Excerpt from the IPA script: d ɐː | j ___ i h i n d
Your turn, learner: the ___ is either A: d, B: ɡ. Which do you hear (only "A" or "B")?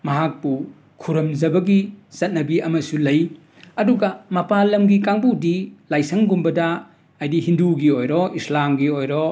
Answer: A